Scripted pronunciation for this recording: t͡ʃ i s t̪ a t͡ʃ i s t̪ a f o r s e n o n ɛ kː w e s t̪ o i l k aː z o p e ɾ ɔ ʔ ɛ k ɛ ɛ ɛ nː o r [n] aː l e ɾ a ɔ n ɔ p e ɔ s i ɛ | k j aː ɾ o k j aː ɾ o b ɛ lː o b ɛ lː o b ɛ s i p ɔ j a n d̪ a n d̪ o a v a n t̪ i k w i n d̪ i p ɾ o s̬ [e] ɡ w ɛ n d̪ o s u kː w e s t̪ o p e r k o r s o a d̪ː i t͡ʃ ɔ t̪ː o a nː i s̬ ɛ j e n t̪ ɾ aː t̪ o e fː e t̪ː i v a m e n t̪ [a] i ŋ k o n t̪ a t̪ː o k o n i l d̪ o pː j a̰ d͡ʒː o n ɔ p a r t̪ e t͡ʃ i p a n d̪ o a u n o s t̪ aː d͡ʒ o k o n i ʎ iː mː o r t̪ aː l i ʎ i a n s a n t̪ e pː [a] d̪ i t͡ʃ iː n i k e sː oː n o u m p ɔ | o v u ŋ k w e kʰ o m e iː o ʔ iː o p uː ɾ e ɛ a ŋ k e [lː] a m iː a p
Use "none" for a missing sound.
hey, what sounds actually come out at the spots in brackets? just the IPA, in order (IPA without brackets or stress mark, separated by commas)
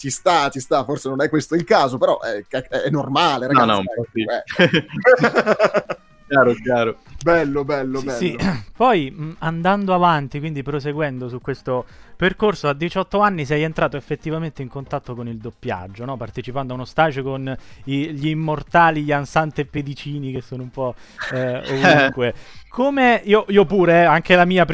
m, e, e, e, l